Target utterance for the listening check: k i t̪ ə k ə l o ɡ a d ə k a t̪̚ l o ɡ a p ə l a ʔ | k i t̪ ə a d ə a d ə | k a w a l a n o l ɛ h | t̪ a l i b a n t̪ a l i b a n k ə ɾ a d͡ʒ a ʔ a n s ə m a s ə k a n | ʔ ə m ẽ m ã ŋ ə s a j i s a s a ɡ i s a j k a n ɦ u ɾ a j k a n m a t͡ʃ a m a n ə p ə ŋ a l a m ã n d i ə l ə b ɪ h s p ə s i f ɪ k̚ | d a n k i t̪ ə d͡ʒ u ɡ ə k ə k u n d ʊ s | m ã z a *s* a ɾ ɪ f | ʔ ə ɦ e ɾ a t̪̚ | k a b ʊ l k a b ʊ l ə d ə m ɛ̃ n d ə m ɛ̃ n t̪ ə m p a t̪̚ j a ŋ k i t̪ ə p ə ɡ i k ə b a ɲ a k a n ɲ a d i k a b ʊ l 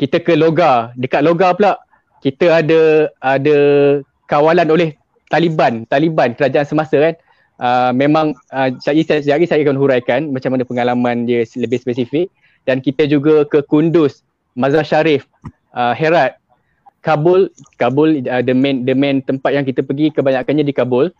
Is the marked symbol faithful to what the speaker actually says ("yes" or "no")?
no